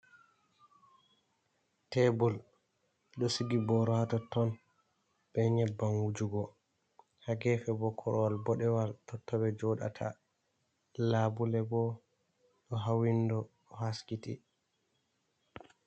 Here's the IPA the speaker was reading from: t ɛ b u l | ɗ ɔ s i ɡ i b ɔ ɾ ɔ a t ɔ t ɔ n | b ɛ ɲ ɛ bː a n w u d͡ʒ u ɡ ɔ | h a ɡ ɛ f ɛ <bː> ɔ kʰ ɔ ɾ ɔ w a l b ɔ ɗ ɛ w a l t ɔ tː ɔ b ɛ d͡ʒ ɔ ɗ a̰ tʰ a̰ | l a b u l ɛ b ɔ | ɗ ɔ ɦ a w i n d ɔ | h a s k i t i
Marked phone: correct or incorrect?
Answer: incorrect